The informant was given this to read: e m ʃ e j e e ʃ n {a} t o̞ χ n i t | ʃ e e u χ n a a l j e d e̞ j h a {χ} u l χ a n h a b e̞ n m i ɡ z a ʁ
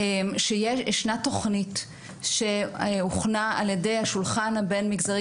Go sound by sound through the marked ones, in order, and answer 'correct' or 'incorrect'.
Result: correct, incorrect: ʃ

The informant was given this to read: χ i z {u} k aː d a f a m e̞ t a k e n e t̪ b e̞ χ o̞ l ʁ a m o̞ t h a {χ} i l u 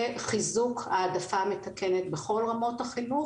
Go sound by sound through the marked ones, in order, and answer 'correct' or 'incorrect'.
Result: correct, correct

